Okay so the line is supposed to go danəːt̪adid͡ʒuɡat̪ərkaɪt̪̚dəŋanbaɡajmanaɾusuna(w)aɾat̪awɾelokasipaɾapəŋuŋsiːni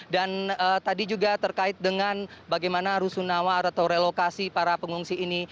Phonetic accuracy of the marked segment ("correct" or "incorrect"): correct